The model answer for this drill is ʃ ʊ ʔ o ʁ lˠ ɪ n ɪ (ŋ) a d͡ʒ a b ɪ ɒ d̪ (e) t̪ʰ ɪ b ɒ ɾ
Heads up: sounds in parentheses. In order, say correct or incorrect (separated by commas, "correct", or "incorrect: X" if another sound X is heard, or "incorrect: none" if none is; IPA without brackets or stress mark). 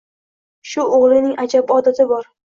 correct, incorrect: a